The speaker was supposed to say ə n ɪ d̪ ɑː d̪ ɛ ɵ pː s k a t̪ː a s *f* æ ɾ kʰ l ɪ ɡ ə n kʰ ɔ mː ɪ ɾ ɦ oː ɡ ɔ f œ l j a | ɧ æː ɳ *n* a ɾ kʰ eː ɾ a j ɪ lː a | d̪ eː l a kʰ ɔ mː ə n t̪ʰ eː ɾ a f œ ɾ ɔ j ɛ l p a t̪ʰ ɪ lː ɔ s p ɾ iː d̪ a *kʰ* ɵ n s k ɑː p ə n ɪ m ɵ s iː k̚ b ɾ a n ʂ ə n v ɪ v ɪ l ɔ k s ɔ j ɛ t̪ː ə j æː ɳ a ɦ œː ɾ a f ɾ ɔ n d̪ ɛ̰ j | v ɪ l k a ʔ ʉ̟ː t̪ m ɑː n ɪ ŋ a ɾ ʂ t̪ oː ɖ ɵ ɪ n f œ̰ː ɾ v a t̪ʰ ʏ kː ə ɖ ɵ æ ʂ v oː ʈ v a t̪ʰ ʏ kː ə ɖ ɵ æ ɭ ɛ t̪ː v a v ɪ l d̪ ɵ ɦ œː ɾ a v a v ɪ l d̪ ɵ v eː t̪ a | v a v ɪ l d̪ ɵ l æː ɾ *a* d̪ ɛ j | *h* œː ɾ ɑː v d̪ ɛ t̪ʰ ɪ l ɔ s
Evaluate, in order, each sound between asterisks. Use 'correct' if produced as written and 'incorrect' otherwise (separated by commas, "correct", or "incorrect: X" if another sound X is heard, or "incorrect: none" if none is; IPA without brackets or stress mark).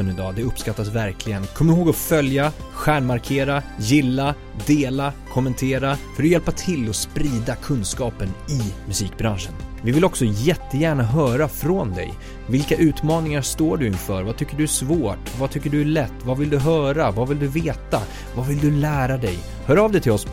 incorrect: v, incorrect: m, correct, correct, correct